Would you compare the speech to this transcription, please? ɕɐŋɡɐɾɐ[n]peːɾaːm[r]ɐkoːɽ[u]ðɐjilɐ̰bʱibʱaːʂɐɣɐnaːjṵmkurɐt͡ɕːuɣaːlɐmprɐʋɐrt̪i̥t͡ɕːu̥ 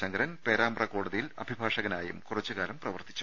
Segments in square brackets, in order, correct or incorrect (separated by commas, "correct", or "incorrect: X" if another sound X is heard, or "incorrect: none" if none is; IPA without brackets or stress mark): correct, correct, correct